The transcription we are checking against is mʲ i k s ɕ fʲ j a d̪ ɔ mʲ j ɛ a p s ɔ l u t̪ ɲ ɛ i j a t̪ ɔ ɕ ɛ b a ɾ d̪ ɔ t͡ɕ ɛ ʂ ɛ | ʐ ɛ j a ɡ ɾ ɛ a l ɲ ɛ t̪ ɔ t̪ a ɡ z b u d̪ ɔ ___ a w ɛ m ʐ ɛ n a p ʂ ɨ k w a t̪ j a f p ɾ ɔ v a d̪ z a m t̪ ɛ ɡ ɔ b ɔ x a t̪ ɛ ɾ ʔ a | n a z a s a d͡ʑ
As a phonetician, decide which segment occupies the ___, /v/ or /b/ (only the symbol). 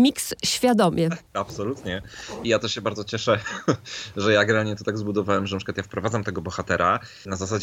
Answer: v